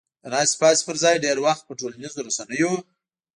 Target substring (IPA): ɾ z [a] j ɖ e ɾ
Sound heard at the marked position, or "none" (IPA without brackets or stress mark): ɑ